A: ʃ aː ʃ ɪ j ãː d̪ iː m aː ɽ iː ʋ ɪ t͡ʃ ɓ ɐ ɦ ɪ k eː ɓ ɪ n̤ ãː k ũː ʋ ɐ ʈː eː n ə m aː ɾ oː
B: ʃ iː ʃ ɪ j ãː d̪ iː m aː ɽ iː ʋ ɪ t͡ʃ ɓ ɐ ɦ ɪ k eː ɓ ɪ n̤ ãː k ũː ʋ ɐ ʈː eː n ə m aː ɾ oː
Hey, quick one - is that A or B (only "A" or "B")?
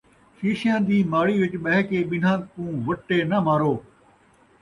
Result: B